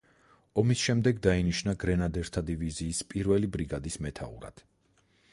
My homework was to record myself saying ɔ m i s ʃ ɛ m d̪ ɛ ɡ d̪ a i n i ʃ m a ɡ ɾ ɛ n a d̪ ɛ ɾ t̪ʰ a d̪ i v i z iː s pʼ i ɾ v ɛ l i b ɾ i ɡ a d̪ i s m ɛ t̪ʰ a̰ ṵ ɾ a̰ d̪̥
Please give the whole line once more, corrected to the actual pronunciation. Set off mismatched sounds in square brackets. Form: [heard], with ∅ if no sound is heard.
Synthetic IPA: ɔ m i s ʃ ɛ m d̪ ɛ ɡ d̪ a i n i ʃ [n] a ɡ ɾ ɛ n a d̪ ɛ ɾ t̪ʰ a d̪ i v i z iː s pʼ i ɾ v ɛ l i b ɾ i ɡ a d̪ i s m ɛ t̪ʰ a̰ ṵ ɾ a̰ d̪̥